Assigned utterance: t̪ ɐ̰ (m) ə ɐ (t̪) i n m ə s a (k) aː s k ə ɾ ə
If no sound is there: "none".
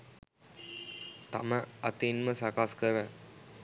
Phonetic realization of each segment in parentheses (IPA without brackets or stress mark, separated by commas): m, t̪, k